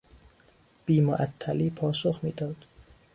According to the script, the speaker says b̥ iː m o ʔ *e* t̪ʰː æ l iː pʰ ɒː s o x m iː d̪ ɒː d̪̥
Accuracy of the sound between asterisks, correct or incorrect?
incorrect